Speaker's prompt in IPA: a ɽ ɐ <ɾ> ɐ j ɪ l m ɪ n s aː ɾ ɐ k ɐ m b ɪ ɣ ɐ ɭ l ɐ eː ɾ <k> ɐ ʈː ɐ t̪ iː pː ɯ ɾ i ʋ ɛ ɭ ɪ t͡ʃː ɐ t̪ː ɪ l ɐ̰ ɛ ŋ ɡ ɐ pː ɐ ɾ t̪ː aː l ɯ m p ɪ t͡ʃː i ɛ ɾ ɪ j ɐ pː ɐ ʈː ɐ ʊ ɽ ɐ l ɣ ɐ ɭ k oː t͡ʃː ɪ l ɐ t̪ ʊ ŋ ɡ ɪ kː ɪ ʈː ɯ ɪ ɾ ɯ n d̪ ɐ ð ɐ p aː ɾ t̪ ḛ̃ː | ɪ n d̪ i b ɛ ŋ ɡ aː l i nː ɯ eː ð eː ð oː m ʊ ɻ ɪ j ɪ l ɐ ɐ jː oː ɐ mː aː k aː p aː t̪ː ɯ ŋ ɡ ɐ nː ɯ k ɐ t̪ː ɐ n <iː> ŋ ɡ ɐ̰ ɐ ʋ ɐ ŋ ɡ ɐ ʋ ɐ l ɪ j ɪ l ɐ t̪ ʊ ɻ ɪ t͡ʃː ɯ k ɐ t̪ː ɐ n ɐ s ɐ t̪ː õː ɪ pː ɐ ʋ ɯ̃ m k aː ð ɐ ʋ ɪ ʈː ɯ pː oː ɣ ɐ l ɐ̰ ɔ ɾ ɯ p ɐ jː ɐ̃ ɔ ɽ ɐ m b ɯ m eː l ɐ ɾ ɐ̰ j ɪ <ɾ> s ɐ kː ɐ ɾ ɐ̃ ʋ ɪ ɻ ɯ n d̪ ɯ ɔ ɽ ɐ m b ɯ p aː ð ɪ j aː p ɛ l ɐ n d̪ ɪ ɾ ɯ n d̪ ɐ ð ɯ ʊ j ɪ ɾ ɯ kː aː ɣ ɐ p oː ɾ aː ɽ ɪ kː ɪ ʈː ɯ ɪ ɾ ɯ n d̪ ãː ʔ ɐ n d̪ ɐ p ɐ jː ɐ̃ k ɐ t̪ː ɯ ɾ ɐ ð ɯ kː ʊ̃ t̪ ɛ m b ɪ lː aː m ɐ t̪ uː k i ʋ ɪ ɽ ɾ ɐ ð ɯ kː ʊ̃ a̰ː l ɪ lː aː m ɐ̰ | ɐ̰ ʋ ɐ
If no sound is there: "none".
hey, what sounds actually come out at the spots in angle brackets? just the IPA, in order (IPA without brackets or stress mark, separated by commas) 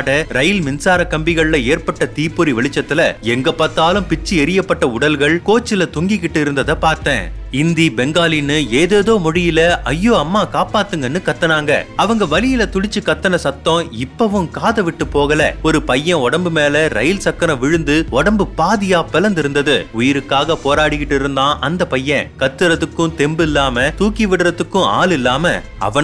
ɾ, p, aː, l